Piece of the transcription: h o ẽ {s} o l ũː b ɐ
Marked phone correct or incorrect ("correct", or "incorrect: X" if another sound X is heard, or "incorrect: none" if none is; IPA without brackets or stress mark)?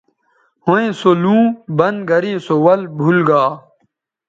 correct